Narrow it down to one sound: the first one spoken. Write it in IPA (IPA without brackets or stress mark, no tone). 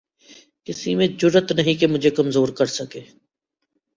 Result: k